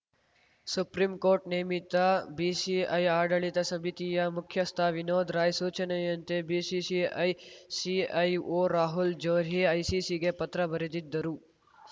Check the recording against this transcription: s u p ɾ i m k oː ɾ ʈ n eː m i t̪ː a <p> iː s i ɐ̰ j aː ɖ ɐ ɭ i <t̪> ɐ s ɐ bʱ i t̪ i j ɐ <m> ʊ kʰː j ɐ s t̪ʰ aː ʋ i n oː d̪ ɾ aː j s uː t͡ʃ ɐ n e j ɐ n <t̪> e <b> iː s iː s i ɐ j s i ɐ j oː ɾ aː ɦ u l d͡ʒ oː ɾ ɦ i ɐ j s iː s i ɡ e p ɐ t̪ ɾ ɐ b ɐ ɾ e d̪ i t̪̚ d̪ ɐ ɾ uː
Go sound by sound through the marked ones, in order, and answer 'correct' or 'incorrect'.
incorrect: b, correct, correct, correct, correct

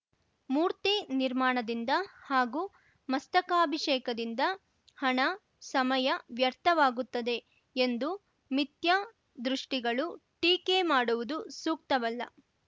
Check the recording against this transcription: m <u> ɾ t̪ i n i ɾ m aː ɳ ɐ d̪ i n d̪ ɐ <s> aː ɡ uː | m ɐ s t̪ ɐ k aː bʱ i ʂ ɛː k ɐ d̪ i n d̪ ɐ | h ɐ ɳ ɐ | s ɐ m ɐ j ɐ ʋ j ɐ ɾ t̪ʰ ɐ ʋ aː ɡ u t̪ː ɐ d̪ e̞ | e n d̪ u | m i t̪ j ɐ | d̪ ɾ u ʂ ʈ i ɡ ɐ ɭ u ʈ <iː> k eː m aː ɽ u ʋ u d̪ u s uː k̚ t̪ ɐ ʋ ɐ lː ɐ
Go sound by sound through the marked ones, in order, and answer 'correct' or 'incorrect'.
incorrect: uː, incorrect: h, correct

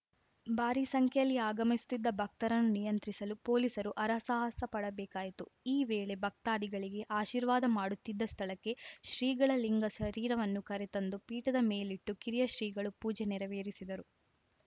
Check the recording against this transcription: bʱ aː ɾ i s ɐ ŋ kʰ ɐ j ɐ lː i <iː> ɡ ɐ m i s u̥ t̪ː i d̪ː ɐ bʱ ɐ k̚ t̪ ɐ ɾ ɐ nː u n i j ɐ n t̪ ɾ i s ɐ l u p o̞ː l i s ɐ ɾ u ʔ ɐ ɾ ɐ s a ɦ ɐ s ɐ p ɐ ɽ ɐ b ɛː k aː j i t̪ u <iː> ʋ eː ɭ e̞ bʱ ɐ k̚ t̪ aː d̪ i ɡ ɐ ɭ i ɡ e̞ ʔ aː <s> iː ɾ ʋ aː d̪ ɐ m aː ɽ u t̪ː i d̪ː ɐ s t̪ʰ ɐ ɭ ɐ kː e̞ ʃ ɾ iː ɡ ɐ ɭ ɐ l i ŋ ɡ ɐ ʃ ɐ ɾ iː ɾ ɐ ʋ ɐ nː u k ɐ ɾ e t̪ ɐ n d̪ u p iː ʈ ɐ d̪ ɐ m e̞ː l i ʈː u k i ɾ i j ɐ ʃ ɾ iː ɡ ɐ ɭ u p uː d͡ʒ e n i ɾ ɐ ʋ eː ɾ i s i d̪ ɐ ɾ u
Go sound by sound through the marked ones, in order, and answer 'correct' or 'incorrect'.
incorrect: aː, correct, incorrect: ʃ

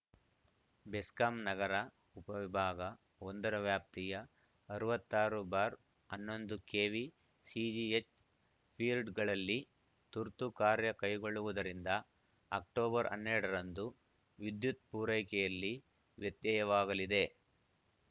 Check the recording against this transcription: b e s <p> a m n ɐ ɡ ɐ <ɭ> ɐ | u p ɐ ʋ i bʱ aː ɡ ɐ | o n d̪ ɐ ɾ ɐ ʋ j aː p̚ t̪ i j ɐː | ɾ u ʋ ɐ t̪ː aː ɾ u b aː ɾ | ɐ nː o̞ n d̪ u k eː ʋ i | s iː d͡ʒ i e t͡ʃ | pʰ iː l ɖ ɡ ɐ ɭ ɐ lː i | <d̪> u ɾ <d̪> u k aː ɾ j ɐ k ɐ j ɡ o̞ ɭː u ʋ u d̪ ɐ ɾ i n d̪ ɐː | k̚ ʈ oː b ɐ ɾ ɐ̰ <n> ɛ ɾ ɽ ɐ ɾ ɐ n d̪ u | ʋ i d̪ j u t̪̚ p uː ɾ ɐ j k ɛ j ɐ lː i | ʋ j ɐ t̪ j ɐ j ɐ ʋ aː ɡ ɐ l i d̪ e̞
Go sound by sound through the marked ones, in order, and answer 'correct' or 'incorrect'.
incorrect: k, incorrect: ɾ, incorrect: t̪, incorrect: t̪, incorrect: nː

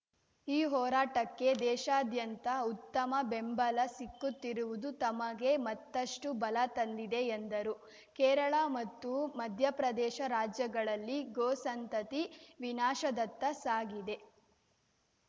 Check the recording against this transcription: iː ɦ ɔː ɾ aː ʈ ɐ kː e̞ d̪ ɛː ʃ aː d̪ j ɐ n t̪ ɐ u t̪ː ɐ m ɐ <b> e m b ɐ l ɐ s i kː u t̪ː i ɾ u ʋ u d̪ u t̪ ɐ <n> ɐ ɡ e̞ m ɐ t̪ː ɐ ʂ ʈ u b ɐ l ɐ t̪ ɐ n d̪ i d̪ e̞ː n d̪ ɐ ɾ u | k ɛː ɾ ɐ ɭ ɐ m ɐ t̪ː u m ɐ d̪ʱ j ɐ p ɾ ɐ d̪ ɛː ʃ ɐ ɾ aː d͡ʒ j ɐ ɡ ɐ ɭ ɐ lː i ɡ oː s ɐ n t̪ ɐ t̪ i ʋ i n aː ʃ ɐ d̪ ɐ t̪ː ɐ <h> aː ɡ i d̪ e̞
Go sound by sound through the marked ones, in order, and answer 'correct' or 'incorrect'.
correct, incorrect: m, incorrect: s

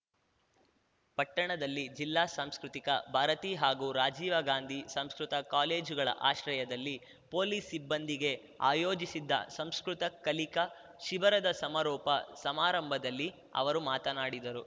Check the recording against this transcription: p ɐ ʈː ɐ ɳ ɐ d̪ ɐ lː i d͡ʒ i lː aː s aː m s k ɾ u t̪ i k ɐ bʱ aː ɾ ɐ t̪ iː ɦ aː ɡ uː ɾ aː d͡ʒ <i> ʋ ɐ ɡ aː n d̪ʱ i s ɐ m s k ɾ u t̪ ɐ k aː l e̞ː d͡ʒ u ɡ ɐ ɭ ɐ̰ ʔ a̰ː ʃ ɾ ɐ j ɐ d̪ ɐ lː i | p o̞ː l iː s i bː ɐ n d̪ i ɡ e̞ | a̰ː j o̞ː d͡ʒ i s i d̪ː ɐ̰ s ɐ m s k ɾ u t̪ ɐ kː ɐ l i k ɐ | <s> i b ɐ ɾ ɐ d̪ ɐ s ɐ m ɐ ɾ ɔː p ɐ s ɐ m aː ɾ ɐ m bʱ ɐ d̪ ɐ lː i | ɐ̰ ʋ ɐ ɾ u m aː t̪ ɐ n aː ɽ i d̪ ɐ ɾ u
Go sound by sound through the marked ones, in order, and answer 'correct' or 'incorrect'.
incorrect: iː, incorrect: ʃ

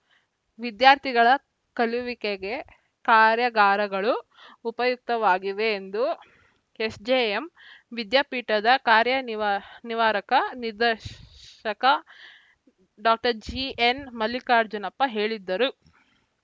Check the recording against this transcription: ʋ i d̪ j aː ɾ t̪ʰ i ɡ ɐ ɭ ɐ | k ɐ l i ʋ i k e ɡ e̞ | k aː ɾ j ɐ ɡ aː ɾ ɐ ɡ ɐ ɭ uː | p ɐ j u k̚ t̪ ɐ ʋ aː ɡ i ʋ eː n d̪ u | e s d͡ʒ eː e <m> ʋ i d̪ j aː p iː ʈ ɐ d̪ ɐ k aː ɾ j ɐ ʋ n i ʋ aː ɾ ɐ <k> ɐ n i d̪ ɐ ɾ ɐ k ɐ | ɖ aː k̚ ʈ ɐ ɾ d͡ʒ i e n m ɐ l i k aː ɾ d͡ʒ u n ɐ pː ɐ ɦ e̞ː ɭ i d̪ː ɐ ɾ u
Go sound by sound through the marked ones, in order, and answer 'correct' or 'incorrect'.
correct, correct

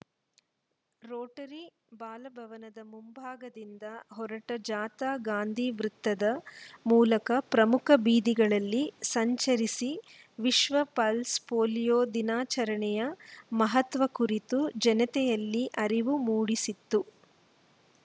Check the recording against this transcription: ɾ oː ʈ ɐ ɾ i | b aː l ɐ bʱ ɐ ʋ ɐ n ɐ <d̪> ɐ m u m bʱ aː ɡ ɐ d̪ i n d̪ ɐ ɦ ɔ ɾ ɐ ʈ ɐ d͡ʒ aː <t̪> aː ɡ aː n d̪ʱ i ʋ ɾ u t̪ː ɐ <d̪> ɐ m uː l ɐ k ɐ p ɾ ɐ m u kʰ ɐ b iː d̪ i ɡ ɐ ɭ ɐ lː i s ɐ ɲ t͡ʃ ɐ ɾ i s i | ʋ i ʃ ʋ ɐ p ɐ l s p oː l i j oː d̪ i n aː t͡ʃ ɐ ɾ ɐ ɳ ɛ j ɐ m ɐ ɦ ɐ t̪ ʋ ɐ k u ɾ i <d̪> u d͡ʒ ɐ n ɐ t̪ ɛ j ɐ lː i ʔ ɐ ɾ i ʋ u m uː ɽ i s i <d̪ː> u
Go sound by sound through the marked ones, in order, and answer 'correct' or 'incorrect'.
correct, correct, correct, incorrect: t̪, incorrect: t̪ː

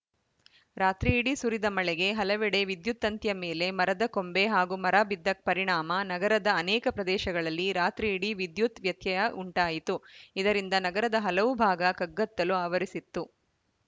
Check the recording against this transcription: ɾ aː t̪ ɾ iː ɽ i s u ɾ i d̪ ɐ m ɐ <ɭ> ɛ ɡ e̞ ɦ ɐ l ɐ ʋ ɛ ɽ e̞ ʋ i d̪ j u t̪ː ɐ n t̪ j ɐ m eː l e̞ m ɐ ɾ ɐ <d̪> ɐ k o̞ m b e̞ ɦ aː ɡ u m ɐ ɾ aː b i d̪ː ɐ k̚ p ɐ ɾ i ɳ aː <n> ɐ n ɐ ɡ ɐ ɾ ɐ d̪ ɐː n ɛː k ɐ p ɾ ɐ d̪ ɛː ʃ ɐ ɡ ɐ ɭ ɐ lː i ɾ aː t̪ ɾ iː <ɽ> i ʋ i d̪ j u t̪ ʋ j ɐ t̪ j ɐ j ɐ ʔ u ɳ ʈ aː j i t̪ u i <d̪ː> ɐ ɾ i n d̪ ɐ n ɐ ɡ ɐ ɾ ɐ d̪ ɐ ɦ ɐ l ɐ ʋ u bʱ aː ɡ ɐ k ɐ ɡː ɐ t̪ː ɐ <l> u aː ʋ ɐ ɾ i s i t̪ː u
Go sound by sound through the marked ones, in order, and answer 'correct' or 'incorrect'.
correct, correct, incorrect: m, correct, incorrect: d̪, correct

